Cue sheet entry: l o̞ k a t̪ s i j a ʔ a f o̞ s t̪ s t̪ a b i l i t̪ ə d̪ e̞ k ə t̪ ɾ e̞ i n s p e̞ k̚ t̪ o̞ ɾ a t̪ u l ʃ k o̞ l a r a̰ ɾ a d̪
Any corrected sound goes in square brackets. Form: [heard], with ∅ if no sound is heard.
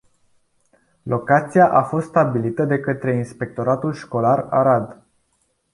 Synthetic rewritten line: l o̞ k a t̪ s i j a ʔ a f o̞ s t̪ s t̪ a b i l i t̪ ə d̪ e̞ k ə t̪ ɾ e̞ i n s p e̞ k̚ t̪ o̞ ɾ a t̪ u l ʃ k o̞ l a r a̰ ɾ a d̪